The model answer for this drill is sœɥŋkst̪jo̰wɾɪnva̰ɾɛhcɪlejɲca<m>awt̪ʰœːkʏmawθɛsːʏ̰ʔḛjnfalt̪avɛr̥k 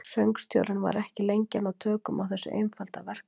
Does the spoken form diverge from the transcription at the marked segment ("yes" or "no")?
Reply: yes